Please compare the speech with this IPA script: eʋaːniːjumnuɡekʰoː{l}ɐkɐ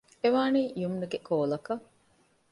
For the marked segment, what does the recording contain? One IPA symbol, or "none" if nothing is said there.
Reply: l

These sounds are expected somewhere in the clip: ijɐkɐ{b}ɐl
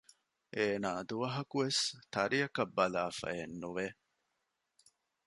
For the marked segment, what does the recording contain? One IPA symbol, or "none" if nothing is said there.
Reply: bː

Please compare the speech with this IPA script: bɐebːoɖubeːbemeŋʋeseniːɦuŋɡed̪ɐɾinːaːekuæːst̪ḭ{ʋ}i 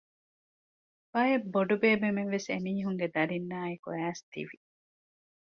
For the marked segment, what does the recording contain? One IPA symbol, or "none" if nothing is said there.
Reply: ʋ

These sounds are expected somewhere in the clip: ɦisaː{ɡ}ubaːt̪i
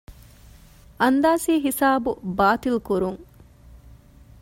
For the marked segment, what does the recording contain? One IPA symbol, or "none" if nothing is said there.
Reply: b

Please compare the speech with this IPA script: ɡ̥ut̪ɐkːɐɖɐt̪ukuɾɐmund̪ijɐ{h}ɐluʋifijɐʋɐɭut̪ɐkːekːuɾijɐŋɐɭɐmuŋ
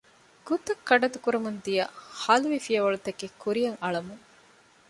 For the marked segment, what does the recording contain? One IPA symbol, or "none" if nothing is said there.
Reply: h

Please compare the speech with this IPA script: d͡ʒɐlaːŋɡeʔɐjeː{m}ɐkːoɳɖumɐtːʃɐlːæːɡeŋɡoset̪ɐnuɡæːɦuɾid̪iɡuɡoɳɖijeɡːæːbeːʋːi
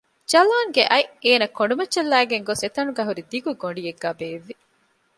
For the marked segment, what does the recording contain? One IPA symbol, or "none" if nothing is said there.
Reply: n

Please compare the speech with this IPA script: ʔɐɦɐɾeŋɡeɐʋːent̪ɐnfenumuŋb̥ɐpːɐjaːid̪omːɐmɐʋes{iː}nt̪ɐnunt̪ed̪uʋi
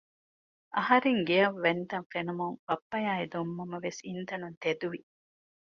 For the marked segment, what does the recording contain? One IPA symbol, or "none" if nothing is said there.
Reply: i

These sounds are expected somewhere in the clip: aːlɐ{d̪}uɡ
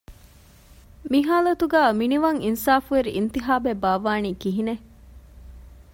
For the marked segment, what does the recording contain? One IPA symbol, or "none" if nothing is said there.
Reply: t̪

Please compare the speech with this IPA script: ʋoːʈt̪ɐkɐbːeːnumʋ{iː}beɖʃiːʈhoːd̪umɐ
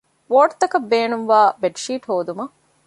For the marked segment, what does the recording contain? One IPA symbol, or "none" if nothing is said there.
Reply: aː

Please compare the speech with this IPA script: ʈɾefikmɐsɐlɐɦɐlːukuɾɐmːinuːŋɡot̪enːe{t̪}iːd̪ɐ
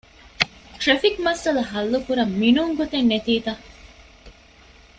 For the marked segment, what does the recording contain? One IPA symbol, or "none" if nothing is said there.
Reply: t̪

